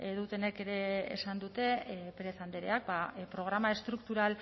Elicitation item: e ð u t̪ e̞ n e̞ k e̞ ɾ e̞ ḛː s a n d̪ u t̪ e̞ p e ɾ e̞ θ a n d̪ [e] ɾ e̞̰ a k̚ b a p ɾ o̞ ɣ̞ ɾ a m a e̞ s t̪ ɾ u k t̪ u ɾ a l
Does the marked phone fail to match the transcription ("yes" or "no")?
no